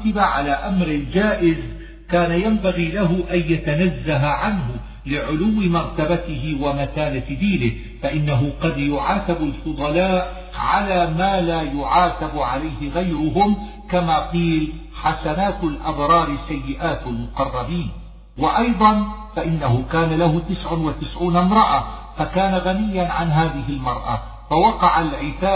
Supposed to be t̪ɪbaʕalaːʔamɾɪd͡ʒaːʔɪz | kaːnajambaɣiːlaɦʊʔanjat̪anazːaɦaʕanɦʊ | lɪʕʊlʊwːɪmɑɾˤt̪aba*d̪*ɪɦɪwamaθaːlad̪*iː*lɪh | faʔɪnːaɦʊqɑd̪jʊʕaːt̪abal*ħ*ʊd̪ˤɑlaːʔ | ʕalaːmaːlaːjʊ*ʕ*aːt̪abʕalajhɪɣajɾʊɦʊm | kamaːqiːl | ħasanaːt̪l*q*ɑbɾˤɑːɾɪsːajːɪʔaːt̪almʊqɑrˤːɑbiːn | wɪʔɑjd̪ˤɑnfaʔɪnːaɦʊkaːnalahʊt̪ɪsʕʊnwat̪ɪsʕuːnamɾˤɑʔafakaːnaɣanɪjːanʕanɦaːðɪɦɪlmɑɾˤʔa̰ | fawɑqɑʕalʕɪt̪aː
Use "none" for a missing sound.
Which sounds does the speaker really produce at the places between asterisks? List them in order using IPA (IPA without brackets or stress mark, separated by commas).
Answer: t̪, iː, f, ʕ, ʔ